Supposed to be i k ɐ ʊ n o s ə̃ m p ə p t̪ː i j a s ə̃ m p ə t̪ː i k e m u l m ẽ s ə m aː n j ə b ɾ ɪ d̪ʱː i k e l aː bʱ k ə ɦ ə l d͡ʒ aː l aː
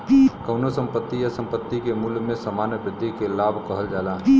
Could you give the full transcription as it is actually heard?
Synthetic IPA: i k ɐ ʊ n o s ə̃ m p ə t̪ː i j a s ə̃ m p ə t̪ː i k e m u l m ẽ s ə m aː n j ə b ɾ ɪ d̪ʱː i k e l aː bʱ k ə ɦ ə l d͡ʒ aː l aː